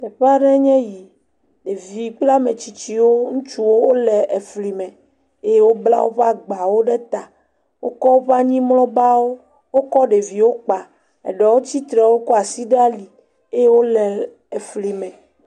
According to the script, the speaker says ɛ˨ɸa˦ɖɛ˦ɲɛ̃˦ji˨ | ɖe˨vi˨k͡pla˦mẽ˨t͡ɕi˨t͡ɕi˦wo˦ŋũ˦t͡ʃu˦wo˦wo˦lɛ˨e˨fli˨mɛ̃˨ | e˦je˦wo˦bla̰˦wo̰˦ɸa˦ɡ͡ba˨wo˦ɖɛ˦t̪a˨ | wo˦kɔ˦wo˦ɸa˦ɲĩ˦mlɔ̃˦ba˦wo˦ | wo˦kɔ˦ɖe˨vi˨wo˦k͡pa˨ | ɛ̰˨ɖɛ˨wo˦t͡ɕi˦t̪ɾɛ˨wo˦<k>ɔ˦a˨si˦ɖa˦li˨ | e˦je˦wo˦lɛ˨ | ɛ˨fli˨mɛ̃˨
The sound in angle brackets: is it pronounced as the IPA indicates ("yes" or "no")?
yes